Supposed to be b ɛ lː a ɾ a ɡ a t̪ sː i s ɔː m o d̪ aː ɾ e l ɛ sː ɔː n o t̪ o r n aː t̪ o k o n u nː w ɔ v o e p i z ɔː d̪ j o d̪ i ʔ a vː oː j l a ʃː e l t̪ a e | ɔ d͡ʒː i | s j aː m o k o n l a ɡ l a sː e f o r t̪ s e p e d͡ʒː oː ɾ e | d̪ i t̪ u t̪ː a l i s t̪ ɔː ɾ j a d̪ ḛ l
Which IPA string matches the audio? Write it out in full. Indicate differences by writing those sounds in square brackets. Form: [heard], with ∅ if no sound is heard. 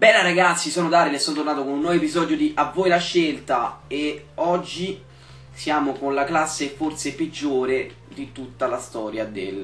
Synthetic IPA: b ɛ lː a ɾ a ɡ a t̪ sː i s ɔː [n] o d̪ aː ɾ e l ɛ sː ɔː n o t̪ o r n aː t̪ o k o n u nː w ɔ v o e p i z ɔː d̪ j o d̪ i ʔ a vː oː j l a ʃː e l t̪ a e | ɔ d͡ʒː i | s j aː m o k o n l a [k] l a sː e f o r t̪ s e p e d͡ʒː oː ɾ e | d̪ i t̪ u t̪ː a l [a] s t̪ ɔː ɾ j a d̪ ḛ l

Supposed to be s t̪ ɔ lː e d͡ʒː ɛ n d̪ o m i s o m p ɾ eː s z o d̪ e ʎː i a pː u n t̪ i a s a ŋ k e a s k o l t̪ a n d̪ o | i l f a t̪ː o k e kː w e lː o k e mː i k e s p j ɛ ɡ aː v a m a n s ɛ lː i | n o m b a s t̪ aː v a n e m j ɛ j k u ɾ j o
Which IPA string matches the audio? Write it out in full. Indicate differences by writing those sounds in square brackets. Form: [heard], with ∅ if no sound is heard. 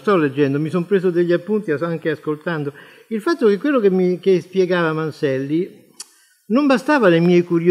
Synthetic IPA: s t̪ ɔ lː e d͡ʒː ɛ n d̪ o m i s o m p ɾ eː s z o d̪ e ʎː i a pː u n t̪ i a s a ŋ k e a s k o l t̪ a n d̪ o | i l f a t̪ː o k e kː w e lː o k e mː i k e s p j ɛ ɡ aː v a m a n s ɛ lː i | n o m b a s t̪ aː v a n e m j ɛ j k u ɾ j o

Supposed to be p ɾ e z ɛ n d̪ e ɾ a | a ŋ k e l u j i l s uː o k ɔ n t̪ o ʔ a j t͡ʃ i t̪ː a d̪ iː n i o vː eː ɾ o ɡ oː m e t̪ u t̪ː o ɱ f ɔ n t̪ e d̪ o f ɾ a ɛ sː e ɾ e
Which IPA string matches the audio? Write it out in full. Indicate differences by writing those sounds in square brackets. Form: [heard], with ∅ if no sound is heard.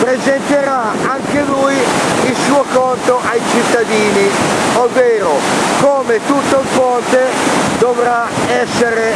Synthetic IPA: p ɾ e z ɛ n [t̪] e ɾ a | a ŋ k e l u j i l s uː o k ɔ n t̪ o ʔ a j t͡ʃ i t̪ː a d̪ iː n i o vː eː ɾ o [k] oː m e t̪ u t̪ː o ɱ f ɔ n t̪ e d̪ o [v] ɾ a ɛ sː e ɾ e

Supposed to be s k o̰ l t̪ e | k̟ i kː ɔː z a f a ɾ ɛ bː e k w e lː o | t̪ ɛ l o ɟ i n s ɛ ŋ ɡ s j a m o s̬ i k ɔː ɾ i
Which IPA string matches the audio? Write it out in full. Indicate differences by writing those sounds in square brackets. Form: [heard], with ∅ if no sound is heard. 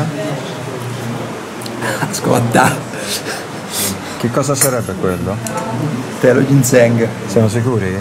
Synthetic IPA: s k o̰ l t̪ [a] | k̟ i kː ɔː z a [s] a ɾ ɛ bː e k w e lː o | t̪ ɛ l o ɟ i n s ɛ ŋ ɡ s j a m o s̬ i k [uː] ɾ i

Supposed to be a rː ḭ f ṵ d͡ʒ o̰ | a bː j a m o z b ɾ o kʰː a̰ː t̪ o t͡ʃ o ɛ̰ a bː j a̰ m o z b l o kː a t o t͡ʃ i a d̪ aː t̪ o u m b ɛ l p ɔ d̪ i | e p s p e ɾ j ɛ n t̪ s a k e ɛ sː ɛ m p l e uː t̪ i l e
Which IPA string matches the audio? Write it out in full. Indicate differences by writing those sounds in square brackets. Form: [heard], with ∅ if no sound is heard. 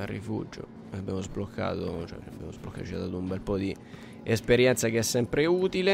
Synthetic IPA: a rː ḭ f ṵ d͡ʒ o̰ | a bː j a m o z b [l] o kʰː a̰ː t̪ o t͡ʃ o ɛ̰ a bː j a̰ m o z b l o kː a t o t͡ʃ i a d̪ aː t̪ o u m b ɛ l p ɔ d̪ i | e [∅] s p e ɾ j ɛ n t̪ s a k e ɛ sː ɛ m p [ɾ] e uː t̪ i l e

